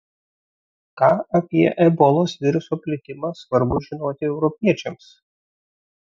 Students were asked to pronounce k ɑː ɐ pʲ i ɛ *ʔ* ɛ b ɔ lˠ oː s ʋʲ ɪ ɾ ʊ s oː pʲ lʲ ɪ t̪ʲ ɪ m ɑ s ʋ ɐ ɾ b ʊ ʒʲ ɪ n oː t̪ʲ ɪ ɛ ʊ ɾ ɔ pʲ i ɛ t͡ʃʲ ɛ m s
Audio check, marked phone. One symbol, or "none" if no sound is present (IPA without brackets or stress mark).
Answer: ʔ